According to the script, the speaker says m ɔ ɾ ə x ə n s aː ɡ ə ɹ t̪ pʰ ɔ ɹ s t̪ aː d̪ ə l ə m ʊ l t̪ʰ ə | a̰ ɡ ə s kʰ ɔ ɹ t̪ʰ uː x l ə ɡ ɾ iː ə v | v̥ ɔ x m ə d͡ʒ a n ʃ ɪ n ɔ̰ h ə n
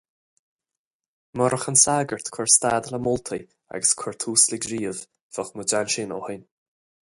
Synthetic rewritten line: m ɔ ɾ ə x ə n s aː ɡ ə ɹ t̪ kʰ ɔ ɹ s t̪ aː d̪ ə l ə m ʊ l t̪ʰ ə | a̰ ɡ ə s kʰ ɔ ɹ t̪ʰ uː s l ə ɡ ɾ iː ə v | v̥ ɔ x m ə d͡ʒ a n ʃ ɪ n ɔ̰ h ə n